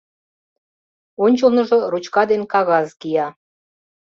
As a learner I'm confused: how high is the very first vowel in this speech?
mid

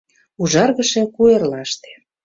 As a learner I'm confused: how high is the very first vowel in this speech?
high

